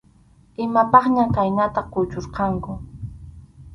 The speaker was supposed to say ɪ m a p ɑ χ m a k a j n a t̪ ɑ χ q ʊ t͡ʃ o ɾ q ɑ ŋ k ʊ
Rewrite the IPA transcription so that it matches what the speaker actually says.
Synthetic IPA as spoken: ɪ m a p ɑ χ ɲ a k a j n a t̪ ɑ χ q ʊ t͡ʃ o ɾ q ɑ ŋ k ʊ